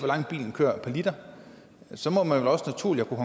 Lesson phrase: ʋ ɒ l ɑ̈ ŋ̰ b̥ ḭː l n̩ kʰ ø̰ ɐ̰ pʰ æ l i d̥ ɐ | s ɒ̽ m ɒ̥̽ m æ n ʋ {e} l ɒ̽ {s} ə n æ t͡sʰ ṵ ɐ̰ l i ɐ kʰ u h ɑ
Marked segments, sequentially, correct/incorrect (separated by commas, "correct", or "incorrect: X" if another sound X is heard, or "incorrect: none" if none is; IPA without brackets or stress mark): correct, correct